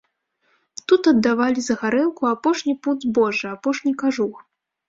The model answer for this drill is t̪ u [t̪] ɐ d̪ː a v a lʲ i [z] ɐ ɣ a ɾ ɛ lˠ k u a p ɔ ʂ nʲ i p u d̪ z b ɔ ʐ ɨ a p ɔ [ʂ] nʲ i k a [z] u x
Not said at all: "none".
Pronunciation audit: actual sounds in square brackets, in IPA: t̪, z, ʂ, ʐ

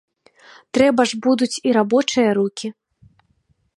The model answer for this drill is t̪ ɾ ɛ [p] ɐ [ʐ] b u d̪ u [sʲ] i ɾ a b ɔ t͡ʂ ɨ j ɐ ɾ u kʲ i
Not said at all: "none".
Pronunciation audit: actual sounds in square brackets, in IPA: b, ʐ, t͡sʲ

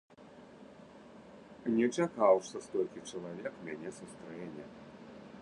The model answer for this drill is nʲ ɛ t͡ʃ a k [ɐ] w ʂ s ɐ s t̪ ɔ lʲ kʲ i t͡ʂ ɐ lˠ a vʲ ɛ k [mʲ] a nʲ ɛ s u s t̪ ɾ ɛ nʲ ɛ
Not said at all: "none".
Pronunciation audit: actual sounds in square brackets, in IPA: a, mʲ

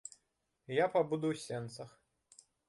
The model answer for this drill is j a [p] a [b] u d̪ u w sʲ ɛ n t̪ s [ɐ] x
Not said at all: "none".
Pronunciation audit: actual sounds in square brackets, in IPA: p, b, ɐ

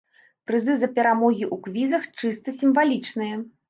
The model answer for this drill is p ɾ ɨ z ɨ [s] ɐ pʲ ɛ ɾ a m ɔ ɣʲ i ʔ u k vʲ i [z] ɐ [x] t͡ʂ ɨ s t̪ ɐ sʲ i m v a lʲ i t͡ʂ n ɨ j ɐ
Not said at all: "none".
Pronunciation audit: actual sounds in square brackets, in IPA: z, z, x

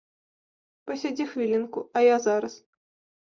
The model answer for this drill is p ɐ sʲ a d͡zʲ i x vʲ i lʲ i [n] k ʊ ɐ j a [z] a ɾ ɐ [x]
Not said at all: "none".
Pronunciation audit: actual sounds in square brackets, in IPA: n, z, s

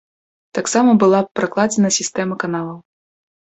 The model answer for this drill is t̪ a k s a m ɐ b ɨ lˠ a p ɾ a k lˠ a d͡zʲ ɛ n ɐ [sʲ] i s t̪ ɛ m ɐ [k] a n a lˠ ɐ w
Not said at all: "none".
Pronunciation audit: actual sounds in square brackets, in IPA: sʲ, k

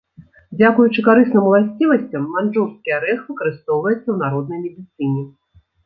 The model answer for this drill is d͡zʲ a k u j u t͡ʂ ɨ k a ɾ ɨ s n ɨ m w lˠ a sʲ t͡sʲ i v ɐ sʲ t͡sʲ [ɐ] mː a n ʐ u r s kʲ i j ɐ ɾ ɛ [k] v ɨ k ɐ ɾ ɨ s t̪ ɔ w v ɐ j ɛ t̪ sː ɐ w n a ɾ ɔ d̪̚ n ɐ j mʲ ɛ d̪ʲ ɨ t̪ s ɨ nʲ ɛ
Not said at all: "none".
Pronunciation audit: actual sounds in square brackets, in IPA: ɐ, x

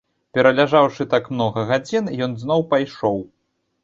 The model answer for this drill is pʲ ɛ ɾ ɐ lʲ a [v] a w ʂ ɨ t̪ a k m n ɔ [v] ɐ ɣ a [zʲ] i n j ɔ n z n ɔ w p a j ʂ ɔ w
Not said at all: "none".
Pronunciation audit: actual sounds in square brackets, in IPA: ʐ, ɣ, d͡zʲ

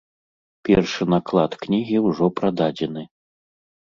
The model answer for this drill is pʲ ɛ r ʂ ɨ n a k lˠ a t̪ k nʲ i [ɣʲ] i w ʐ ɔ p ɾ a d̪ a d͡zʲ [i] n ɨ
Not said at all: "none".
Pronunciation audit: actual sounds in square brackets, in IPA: ɣʲ, ɛ

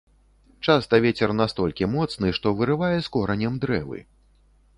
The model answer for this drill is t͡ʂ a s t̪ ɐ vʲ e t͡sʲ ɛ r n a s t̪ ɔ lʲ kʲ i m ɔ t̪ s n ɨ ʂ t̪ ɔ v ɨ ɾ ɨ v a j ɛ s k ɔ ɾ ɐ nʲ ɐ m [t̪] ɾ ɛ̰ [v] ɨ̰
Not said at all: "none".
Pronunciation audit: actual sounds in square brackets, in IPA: d̪, v

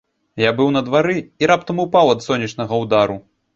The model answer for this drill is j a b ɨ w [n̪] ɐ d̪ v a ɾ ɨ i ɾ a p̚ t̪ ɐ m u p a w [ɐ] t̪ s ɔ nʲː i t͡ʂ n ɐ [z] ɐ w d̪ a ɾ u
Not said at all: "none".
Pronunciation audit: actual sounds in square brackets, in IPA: n̪, ɐ, ɣ

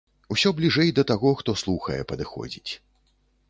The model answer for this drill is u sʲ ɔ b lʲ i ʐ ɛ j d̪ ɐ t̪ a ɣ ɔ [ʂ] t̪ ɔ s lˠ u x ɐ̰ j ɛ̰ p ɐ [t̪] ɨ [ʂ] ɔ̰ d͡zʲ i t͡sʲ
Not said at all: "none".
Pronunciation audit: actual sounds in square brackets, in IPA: x, d̪, x

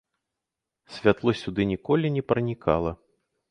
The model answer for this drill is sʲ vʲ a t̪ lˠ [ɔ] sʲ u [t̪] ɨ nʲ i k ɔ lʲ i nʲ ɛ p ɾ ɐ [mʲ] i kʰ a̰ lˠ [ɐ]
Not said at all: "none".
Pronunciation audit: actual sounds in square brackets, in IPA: ɔ, d̪, nʲ, ɐ

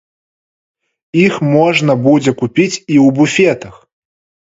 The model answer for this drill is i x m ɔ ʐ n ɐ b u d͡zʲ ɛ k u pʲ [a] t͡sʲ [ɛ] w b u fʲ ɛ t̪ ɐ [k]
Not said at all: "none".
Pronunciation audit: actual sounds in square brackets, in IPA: i, i, x

